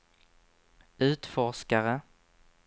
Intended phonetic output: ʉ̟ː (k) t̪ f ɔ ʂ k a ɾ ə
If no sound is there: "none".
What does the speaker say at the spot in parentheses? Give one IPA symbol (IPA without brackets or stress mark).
none